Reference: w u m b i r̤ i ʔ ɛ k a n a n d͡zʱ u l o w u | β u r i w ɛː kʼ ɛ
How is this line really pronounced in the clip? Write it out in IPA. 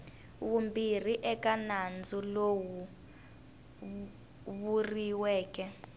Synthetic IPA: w u m b i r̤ i ʔ ɛ k a n a n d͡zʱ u l o w u | β u r i w ɛː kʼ ɛ